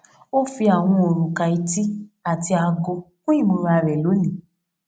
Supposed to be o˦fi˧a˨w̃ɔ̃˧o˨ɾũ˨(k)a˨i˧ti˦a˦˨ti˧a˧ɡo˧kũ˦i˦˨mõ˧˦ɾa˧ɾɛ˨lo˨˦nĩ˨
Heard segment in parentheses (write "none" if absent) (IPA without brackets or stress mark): k